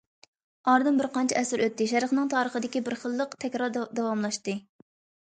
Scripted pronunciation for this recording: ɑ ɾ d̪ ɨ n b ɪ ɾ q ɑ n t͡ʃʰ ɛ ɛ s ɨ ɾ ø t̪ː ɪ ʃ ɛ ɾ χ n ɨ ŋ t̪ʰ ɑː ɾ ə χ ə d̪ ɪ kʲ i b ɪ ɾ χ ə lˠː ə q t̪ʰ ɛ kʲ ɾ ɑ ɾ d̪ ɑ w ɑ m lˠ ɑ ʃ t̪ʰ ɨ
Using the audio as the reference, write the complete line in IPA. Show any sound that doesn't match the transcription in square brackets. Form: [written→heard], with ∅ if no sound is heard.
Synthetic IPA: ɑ ɾ d̪ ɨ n b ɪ ɾ q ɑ n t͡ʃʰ ɛ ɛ s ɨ ɾ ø t̪ː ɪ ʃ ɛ ɾ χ n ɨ ŋ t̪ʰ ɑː ɾ ə χ ə d̪ ɪ kʲ i b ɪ ɾ χ ə lˠː ə q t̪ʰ ɛ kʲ ɾ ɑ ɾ d̪ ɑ w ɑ m lˠ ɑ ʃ [t̪ʰ→t̪] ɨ